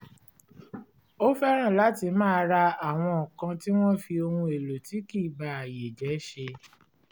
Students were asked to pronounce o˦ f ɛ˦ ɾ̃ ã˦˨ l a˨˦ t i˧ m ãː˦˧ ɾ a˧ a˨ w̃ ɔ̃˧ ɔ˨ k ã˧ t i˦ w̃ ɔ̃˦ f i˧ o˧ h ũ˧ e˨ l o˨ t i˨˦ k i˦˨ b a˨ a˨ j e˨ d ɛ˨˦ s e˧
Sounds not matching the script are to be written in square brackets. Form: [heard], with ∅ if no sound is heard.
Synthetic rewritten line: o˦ f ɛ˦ ɾ̃ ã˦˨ l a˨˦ t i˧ m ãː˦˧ ɾ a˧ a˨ w̃ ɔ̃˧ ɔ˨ k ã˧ t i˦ w̃ ɔ̃˦ f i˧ o˧ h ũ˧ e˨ l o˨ t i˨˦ k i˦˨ b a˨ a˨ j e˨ [d͡ʒ] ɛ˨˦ [ʃ] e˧